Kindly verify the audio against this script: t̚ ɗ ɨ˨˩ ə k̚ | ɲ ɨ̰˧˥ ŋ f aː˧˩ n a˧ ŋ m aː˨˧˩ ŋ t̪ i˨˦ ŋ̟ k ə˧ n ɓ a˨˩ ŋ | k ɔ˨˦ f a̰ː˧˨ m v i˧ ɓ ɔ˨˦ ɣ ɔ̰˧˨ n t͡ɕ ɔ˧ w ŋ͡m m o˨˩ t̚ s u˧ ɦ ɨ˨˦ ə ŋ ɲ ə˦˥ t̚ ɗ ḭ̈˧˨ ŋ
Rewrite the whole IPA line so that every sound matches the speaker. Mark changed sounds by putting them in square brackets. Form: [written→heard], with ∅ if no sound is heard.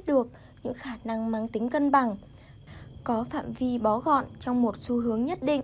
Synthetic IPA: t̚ ɗ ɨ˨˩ ə k̚ | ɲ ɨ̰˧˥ ŋ [f→x] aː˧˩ n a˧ ŋ m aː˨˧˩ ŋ t̪ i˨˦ ŋ̟ k ə˧ n ɓ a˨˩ ŋ | k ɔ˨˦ f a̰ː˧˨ m v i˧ ɓ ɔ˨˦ ɣ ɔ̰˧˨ n t͡ɕ ɔ˧ w ŋ͡m m o˨˩ t̚ s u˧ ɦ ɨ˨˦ ə ŋ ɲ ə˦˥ t̚ ɗ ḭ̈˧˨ ŋ